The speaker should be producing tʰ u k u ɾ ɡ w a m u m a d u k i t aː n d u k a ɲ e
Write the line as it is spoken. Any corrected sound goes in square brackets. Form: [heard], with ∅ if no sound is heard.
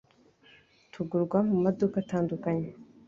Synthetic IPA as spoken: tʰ u [ɡ] u ɾ ɡ w a m u m a d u k [a] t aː n d u k a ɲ e